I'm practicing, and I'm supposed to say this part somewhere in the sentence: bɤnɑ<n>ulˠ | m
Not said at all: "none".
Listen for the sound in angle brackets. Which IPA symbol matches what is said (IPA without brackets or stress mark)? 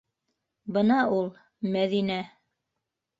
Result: none